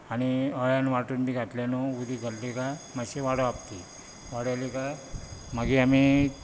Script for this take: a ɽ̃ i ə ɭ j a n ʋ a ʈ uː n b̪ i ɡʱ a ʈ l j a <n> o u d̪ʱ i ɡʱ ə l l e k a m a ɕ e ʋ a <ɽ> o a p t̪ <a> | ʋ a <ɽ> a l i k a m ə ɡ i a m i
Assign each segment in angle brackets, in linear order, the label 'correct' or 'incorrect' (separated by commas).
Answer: correct, correct, incorrect, correct